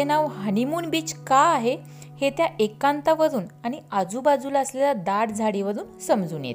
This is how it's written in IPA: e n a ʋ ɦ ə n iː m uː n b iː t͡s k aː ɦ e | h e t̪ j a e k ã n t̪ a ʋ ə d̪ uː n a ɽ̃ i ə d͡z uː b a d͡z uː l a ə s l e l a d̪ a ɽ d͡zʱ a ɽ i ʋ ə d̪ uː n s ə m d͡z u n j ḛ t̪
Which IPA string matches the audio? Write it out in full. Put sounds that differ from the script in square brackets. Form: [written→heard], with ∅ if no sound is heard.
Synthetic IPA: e n a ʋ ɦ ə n [iː→i] m uː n b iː t͡s k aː ɦ e | h e t̪ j a e k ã n t̪ a ʋ ə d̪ uː n a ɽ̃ i [ə→a] d͡z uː b a d͡z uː l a ə s l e l a d̪ a ɽ d͡zʱ a ɽ i ʋ ə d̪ uː n s ə m d͡z [u→uː] n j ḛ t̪